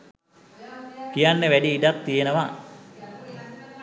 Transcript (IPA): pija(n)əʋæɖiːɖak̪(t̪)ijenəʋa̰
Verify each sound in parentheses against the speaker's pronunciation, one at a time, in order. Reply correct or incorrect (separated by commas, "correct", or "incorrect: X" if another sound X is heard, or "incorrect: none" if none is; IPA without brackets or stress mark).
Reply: incorrect: nː, correct